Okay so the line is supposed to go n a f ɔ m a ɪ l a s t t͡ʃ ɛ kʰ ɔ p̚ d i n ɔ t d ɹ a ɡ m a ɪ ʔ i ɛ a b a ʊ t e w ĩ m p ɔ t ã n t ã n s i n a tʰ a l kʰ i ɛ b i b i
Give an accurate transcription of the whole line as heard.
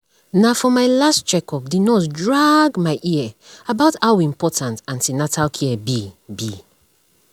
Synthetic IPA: n a f ɔ m a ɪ l a s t t͡ʃ ɛ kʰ ɔ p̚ d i n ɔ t d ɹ a ɡ m a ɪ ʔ i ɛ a b a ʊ t a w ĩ m p ɔ t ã n t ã n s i n a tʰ a l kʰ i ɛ b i b i